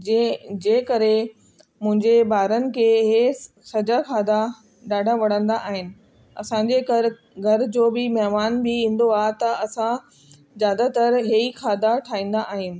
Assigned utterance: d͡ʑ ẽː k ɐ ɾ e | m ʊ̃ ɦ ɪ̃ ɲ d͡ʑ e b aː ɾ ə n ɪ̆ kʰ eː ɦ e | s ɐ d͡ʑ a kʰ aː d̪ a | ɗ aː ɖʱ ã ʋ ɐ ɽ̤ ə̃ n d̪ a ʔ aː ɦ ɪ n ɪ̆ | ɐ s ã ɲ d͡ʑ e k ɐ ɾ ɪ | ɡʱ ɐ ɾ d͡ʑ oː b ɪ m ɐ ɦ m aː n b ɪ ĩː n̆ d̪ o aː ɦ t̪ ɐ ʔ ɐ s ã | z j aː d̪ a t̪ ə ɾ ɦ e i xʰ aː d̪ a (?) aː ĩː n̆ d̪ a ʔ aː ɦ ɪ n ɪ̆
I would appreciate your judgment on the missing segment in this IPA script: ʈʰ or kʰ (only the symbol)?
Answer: ʈʰ